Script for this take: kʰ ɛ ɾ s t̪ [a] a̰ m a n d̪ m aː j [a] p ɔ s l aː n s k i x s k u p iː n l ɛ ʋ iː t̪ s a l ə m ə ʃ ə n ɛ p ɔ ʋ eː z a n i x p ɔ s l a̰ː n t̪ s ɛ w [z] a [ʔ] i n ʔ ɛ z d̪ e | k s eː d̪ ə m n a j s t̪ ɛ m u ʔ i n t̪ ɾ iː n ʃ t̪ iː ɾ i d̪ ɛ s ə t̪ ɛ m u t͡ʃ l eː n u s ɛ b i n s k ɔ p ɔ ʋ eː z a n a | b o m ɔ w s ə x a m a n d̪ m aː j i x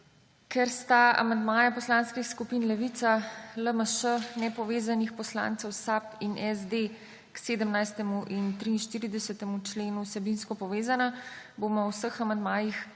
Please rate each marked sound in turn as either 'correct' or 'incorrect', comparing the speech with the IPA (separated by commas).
correct, correct, incorrect, incorrect